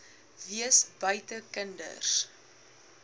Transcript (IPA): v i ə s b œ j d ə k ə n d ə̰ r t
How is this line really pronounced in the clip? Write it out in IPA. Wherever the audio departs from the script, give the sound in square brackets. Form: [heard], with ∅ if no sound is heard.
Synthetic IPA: v i ə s b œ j [t] ə k ə n d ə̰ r [s]

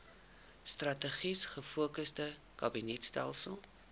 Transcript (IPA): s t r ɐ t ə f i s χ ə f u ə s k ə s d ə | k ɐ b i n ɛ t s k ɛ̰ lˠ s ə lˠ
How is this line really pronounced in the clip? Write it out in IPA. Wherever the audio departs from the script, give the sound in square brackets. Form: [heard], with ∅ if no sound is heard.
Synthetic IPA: s t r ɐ t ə [χ] i s χ ə f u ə [∅] k ə s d ə | k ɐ b i n ɛ t s [t] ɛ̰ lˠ s ə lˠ

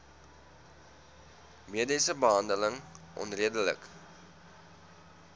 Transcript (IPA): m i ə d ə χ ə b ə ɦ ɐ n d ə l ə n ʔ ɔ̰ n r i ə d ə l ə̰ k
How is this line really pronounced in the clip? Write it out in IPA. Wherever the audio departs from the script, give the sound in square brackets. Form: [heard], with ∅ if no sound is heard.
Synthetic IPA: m i ə d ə [s] ə b ə ɦ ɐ n d ə l ə [ŋ] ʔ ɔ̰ n r i ə d ə l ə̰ k

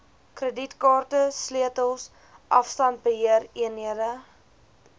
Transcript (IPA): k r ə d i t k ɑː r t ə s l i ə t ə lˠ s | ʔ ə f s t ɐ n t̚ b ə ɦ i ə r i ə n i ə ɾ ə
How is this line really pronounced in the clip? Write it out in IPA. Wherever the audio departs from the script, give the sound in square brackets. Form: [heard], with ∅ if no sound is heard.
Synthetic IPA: k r ə d i t k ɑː r t ə s l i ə t ə lˠ s | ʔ [ɐ] f s t ɐ n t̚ b ə ɦ i ə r i ə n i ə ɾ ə

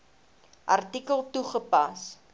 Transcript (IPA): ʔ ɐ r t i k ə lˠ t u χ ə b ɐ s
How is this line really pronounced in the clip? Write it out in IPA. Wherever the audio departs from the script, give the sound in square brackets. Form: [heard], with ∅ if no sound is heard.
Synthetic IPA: ʔ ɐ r t i k ə lˠ t u χ ə [p] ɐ s

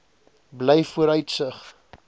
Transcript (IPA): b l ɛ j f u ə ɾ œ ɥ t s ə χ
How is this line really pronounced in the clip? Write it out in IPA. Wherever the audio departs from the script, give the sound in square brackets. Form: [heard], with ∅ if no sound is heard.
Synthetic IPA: b l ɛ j f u ə ɾ œ ɥ t s ə χ

